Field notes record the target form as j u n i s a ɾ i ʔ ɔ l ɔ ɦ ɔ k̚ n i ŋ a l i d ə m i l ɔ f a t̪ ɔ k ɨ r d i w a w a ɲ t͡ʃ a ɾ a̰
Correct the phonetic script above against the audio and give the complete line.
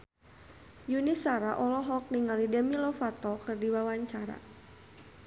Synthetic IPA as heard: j u n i s a ɾ a ʔ ɔ l ɔ ɦ ɔ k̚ n i ŋ a l i d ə m i l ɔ f a t̪ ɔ k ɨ r d i w a w a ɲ t͡ʃ a ɾ a̰